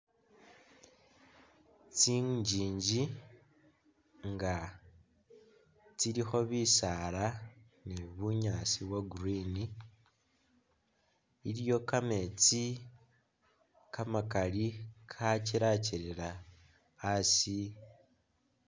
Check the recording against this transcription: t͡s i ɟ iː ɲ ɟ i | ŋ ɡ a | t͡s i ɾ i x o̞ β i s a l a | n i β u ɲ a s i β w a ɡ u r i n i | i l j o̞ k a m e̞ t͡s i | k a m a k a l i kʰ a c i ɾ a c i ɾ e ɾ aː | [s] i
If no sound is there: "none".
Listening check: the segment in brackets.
s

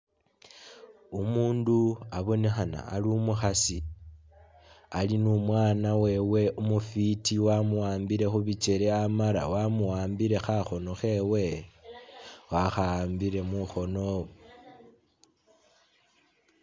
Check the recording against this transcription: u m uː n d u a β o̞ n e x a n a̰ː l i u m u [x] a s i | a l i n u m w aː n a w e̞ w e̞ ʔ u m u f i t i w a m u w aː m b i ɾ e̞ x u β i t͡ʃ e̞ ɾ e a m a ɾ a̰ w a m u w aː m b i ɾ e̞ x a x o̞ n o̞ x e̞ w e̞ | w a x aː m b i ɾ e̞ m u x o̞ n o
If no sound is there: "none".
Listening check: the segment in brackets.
x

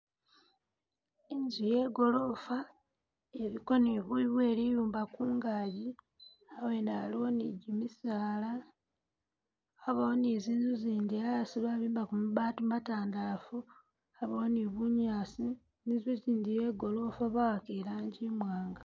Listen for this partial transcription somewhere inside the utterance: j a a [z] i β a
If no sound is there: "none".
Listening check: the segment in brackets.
s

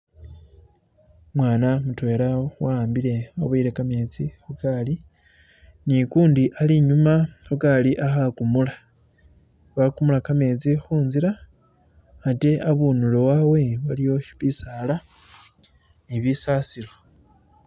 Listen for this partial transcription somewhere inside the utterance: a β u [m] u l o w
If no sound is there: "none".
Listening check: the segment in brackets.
n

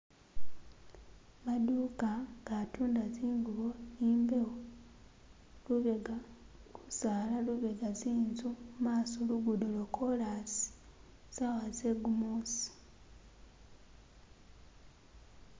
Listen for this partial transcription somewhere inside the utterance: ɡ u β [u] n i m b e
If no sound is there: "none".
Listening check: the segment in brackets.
o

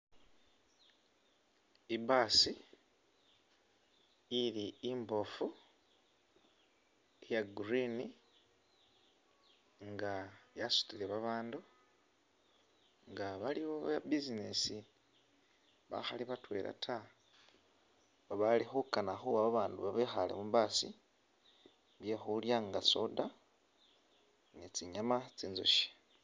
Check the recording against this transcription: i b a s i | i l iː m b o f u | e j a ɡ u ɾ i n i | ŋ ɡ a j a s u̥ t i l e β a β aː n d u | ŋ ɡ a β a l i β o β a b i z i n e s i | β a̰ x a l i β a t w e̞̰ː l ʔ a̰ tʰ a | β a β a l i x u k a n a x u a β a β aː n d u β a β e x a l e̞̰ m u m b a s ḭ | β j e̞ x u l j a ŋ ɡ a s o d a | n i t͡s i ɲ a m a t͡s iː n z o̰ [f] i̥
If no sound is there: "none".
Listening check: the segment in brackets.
ʃ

